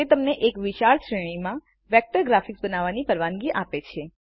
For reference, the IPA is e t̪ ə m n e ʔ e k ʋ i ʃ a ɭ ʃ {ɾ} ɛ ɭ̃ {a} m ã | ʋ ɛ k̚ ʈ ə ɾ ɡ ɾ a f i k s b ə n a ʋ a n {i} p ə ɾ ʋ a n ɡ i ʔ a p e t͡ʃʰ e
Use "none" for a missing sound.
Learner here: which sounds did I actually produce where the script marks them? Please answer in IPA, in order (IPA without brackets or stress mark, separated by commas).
ɾ, i, i